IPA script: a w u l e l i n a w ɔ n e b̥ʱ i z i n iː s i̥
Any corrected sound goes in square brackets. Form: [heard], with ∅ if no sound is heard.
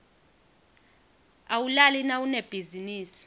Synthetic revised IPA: a w u l [a] l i n a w [u] n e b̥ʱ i z i n iː s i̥